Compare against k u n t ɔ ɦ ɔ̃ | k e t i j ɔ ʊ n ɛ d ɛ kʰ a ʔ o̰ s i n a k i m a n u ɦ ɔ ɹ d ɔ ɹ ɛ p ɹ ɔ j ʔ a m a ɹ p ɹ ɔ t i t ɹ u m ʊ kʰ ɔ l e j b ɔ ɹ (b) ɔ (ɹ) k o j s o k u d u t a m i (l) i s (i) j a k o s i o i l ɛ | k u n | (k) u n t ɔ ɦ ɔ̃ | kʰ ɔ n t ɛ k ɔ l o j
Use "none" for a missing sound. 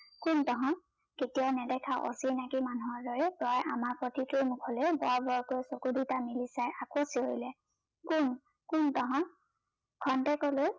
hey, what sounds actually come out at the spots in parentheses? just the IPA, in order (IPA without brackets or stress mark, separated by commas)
b, ɹ, l, a, k